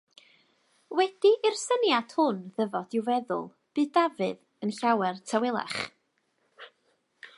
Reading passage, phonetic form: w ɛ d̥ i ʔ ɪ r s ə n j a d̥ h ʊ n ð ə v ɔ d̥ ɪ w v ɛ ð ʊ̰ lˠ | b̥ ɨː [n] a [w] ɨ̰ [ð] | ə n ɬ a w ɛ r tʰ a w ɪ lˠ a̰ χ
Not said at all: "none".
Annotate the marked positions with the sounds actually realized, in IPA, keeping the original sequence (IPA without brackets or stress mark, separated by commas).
d, v, ð